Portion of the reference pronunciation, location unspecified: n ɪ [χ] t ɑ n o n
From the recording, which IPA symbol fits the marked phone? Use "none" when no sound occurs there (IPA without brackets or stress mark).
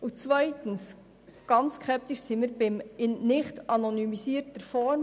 χ